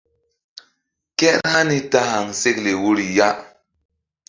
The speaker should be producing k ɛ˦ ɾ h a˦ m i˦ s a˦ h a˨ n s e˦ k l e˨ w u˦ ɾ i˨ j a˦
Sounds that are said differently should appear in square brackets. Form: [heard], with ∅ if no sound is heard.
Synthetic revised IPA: k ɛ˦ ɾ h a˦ [n] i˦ [t] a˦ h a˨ [ŋ] s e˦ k l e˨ w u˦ ɾ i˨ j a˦